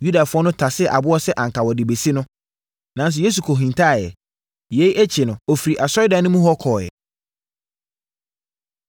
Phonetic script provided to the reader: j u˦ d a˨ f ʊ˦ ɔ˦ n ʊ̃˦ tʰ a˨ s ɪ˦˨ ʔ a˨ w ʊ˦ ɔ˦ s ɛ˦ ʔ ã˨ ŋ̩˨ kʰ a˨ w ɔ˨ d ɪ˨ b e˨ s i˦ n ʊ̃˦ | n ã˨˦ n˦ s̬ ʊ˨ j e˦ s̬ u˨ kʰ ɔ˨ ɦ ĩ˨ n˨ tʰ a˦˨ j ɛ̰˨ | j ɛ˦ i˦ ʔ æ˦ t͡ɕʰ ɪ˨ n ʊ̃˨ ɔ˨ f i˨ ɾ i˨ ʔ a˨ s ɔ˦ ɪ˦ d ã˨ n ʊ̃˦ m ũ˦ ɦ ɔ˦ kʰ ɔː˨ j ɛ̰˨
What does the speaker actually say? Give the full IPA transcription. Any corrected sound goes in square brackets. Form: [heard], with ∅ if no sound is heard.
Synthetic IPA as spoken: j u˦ d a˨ f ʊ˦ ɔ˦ n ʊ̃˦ tʰ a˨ s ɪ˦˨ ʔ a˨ [b] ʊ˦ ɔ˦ s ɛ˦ ʔ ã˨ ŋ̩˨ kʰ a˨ w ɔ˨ d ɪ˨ b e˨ s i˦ n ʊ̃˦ | n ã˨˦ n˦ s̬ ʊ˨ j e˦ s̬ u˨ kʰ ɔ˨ ɦ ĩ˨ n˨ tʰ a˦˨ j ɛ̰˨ | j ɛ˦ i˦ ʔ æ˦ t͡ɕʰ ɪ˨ n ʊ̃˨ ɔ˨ f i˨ ɾ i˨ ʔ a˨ s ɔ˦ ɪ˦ d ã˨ n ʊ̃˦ m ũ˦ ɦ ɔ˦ kʰ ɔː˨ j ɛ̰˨